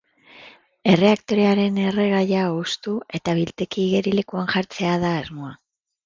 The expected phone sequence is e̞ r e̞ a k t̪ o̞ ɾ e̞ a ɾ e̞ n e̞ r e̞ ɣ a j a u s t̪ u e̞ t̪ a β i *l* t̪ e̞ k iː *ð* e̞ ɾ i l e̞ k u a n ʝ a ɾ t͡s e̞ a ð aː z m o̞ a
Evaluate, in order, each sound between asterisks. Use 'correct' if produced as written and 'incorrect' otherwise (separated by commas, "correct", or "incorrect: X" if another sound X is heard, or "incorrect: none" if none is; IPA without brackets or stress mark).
correct, incorrect: ɣ